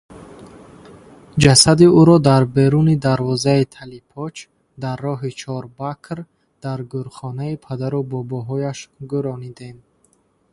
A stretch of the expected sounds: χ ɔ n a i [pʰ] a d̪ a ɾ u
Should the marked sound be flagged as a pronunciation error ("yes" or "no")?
no